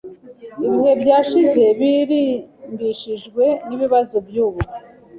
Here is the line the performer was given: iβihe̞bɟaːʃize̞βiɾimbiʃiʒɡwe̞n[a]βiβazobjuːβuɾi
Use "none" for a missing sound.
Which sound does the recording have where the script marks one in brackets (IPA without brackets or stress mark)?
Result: i